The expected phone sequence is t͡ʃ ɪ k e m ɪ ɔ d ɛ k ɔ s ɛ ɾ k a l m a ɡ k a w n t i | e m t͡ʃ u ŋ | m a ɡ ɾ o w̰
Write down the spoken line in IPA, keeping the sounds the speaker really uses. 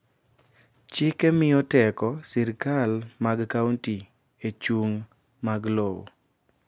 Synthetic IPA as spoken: t͡ʃ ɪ k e m ɪ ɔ t ɛ k ɔ s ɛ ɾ k a l m a ɡ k a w n t i | e t͡ʃ u ŋ | m a ɡ l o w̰

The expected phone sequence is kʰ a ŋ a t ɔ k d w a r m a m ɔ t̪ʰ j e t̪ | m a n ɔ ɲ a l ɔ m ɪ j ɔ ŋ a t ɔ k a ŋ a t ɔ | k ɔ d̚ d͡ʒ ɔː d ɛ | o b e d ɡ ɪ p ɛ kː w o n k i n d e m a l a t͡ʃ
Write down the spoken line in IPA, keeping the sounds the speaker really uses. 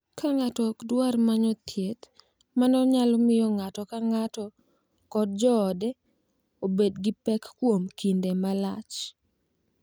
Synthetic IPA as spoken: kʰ a ŋ a t ɔ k d w a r m a ɲ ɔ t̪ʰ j e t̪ | m a n ɔ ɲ a l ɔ m ɪ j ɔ ŋ a t ɔ k a ŋ a t ɔ | k ɔ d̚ d͡ʒ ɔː d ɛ | o b e d ɡ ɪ p ɛ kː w o m k i n d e m a l a t͡ʃ

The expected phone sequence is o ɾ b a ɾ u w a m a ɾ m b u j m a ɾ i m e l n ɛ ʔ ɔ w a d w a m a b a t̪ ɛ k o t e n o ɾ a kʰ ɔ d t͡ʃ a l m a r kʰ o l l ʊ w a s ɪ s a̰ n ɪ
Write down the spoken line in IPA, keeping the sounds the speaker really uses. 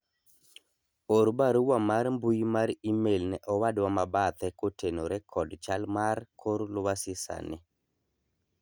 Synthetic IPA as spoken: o ɾ b a ɾ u w a m a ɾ m b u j m a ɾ i m e l n ɛ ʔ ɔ w a d w a m a b a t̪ ɛ k o t e n o ɾ ɛ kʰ ɔ d t͡ʃ a l m a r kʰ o ɾ l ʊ w a s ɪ s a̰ n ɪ

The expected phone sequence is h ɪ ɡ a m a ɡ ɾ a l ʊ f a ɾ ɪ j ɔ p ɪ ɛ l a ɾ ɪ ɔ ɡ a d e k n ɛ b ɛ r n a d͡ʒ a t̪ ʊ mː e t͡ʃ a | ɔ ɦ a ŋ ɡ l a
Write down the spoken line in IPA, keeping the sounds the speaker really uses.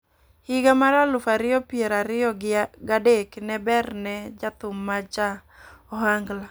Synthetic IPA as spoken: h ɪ ɡ a m a ɾ a l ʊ f a ɾ ɪ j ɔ p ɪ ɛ ɾ a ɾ ɪ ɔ ɡ a d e k n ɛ b ɛ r n ɛ d͡ʒ a t̪ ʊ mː a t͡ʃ a | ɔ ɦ a ŋ ɡ l a

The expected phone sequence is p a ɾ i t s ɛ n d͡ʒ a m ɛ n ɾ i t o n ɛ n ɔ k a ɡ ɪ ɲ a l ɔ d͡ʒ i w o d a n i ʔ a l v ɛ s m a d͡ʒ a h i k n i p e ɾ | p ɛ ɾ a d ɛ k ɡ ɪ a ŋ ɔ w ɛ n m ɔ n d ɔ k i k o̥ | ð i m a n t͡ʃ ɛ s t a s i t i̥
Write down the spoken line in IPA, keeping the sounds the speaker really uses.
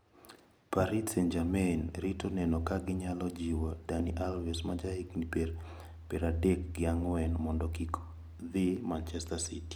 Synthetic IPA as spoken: p a ɾ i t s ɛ n d͡ʒ a m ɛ n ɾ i t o n ɛ n ɔ k a ɡ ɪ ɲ a l ɔ d͡ʒ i w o d a n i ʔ a l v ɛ s m a d͡ʒ a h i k n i p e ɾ | p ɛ ɾ a d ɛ k ɡ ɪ a ŋ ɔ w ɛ n m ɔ n d ɔ k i k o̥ | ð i m a n t͡ʃ ɛ s t a s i t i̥

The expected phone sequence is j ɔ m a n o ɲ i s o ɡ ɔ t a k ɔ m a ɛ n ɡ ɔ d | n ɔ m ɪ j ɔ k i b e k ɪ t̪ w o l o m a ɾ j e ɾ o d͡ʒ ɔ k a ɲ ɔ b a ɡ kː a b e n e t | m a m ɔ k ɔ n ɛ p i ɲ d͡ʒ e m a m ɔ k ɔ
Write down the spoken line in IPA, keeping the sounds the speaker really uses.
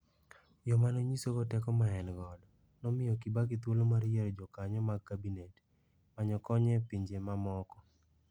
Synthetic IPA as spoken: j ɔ m a n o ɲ i s o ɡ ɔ t ɛ k ɔ m a ɛ n ɡ ɔ d | n ɔ m ɪ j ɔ k i b a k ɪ t̪ w o l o m a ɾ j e ɾ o d͡ʒ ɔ k a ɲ ɔ m a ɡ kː a b i n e t | m a ɲ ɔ k ɔ ɲ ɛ p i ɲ d͡ʒ e m a m ɔ k ɔ

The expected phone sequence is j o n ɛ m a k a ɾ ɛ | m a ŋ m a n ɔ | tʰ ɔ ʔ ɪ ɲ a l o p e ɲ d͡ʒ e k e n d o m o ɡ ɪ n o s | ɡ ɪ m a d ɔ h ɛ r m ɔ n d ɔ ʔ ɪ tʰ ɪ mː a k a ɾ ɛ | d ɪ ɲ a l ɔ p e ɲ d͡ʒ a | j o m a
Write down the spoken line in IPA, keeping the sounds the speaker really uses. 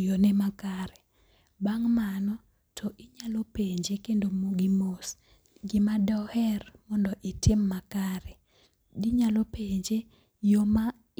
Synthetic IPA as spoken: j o n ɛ m a k a ɾ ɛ | b a ŋ m a n ɔ | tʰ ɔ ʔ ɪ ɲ a l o p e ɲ d͡ʒ e k e n d o m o ɡ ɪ m o s | ɡ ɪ m a d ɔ h ɛ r m ɔ n d ɔ ʔ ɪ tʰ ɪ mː a k a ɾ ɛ | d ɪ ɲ a l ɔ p e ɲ d͡ʒ e | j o m a

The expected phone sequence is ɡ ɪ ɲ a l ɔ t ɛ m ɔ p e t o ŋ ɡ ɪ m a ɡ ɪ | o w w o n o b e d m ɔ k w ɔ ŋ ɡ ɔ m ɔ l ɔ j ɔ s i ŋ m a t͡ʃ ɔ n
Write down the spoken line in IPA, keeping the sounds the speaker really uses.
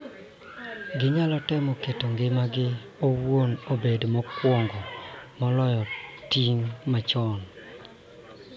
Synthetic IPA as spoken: ɡ ɪ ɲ a l ɔ t ɛ m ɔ k e t o ŋ ɡ ɪ m a ɡ ɪ | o w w o n o b e d m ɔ k w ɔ ŋ ɡ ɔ m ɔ l ɔ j ɔ t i ŋ m a t͡ʃ ɔ n

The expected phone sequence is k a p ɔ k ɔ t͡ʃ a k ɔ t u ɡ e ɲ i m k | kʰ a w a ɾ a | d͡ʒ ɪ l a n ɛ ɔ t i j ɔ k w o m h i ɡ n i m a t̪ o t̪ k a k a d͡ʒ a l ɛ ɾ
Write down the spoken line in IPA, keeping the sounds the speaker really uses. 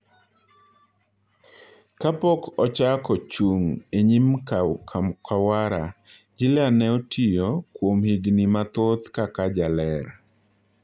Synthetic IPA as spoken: k a p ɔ k ɔ t͡ʃ a k ɔ t͡ʃ u ŋ e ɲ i m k | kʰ a w a ɾ a | d͡ʒ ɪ l a n ɛ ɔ t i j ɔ k w o m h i ɡ n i m a t̪ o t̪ k a k a d͡ʒ a l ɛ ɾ

